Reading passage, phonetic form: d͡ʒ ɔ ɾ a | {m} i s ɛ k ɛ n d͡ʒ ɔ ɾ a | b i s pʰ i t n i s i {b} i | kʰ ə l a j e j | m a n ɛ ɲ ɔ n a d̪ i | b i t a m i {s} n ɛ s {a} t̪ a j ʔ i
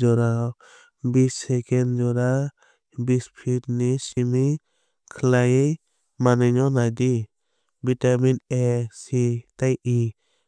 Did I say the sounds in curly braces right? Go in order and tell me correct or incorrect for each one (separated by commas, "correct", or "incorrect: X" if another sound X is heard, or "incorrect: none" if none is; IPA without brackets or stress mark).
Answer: incorrect: b, incorrect: m, incorrect: none, incorrect: i